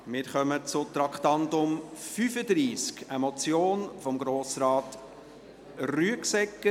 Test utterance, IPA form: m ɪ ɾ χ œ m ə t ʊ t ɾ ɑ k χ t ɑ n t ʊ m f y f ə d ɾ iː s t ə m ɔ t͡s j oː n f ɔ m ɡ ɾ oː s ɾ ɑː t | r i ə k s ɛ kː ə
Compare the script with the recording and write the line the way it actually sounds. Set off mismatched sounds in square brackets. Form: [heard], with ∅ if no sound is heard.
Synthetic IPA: m ɪ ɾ χ œ m ə [t͡s] ʊ t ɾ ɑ k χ t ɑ n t ʊ m f y f ə d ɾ iː s [k] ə m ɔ t͡s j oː n f ɔ m ɡ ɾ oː s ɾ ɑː t | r [y] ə k s ɛ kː ə